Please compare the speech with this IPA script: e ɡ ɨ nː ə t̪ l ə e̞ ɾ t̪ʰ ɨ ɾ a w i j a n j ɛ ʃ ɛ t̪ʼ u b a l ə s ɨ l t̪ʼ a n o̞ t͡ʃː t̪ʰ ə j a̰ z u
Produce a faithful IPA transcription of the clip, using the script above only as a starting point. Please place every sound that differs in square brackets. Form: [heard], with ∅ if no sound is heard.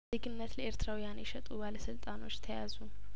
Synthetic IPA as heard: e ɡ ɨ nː ə t̪ l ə e̞ ɾ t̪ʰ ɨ ɾ a w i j a n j ɛ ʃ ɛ t̪ʼ u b a l ə s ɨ l t̪ʼ a n o̞ t͡ʃː t̪ʰ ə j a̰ z u